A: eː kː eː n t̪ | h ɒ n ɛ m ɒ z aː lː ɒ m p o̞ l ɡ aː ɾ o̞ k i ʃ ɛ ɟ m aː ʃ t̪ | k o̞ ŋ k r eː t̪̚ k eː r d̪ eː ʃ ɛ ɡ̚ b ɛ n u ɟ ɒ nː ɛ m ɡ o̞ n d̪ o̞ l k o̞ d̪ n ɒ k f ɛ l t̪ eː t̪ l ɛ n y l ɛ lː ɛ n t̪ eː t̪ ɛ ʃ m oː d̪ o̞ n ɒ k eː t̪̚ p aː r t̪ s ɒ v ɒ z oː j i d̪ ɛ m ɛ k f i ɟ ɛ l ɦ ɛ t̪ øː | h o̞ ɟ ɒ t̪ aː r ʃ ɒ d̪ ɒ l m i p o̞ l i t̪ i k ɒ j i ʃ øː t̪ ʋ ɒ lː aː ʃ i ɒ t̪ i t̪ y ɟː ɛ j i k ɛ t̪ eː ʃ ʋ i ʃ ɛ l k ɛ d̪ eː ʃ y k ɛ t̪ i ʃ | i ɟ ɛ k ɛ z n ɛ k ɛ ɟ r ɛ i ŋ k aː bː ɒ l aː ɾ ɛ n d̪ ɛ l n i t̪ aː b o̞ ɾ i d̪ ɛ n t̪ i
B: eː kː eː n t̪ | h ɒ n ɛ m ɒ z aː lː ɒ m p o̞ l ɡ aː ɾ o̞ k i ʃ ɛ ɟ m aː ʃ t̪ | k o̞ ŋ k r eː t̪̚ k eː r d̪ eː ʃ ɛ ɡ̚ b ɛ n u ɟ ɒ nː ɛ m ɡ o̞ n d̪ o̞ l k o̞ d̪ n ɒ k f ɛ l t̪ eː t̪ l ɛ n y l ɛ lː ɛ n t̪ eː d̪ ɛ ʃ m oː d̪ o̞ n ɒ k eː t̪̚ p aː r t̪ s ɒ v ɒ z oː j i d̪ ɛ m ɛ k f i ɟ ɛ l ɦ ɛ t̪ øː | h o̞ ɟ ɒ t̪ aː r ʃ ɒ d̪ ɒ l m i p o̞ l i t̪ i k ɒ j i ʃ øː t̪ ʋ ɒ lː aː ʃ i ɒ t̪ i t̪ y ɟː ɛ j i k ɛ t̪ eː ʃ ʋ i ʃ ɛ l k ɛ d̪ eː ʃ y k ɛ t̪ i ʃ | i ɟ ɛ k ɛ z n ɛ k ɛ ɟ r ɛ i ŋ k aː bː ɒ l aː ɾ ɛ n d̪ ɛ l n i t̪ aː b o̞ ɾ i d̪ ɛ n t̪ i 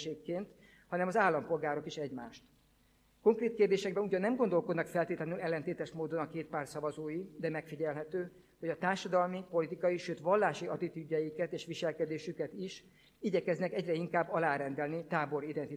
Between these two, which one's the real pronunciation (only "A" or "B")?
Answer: A